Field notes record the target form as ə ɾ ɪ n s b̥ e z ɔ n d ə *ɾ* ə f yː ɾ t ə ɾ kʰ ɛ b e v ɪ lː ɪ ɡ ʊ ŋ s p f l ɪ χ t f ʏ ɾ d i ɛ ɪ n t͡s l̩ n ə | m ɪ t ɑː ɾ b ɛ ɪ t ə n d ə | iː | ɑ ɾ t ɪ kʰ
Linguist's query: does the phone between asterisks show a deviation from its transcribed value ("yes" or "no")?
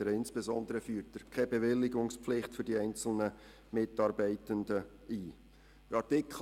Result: no